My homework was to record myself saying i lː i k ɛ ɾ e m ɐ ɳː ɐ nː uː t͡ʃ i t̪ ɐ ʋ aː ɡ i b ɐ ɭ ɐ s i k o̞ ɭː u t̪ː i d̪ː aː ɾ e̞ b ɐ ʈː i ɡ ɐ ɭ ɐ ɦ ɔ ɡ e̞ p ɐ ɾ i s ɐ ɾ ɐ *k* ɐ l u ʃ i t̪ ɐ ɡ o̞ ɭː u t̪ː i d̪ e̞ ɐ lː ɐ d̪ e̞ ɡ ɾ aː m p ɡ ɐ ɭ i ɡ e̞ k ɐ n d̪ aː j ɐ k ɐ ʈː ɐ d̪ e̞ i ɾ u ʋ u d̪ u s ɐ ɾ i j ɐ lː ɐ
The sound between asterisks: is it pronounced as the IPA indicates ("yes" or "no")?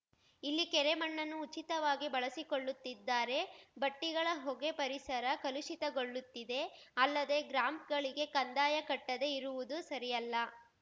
yes